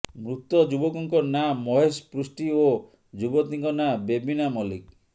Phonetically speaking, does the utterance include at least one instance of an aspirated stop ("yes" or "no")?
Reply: no